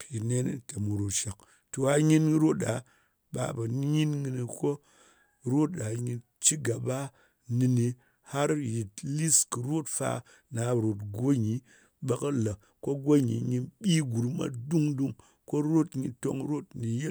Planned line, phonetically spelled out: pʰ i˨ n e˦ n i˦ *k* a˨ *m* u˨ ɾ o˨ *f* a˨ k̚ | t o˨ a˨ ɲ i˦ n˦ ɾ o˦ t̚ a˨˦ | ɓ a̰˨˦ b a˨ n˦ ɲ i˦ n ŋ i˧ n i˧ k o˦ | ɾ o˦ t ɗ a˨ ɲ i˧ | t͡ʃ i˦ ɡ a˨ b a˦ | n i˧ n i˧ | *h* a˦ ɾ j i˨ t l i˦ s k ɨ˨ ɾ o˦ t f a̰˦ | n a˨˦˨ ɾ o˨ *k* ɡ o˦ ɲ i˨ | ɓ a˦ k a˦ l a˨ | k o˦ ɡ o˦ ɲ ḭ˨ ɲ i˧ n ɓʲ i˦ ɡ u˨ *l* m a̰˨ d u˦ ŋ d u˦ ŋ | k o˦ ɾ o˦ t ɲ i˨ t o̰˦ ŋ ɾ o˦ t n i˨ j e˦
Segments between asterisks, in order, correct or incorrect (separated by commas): incorrect, correct, incorrect, correct, incorrect, incorrect